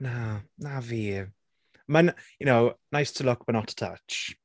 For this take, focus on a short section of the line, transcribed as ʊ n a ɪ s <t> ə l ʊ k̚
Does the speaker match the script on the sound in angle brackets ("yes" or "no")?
no